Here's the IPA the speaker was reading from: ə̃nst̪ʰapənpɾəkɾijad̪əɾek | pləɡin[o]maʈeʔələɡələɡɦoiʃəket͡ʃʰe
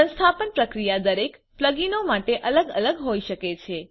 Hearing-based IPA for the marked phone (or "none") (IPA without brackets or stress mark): o